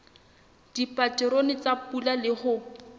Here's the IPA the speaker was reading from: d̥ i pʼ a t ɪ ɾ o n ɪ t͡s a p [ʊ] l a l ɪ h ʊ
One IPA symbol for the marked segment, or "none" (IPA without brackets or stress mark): u